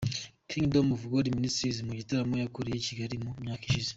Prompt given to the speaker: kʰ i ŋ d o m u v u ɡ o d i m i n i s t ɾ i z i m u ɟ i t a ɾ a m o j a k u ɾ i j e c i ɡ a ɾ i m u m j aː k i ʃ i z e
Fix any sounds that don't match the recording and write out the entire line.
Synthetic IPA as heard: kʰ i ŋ d o m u v u ɡ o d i m i n i s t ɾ i z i m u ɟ i t a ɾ a m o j a k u ɾ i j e c i ɡ a ɾ i m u m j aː k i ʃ i z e